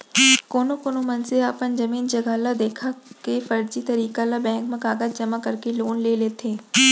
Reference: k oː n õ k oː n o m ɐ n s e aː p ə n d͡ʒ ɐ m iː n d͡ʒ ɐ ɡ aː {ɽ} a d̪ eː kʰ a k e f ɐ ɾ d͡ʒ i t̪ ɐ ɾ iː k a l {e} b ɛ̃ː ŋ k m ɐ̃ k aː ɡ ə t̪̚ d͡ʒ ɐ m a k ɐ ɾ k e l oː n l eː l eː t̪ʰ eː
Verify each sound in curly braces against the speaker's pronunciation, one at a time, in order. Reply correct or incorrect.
incorrect, incorrect

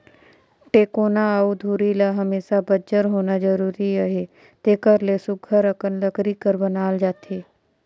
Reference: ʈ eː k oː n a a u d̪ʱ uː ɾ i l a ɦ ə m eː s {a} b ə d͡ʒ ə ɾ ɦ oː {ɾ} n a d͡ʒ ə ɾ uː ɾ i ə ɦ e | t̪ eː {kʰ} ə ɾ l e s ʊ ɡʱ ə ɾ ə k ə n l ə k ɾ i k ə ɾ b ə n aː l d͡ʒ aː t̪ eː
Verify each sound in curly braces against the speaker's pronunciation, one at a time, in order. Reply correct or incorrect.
correct, incorrect, incorrect

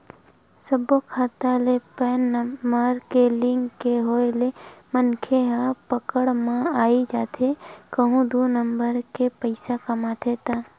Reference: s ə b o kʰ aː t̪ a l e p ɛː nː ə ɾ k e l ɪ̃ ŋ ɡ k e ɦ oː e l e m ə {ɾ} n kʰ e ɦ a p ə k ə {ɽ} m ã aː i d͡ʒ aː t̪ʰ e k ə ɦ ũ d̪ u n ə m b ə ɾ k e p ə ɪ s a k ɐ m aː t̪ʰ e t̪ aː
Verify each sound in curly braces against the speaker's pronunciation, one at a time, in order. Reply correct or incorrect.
incorrect, correct

